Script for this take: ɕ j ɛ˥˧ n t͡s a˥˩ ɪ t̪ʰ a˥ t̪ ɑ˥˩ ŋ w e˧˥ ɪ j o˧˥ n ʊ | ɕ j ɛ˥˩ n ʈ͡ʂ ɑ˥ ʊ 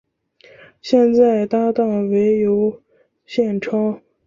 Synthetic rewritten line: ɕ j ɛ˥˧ n t͡s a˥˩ ɪ t̪ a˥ t̪ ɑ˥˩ ŋ w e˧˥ ɪ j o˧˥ ʊ | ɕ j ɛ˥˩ n ʈ͡ʂʰ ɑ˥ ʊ